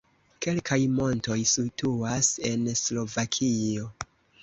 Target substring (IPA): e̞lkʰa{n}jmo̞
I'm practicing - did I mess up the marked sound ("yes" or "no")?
yes